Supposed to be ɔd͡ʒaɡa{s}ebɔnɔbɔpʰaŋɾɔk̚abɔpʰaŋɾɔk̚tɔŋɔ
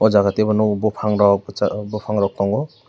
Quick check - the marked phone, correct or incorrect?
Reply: incorrect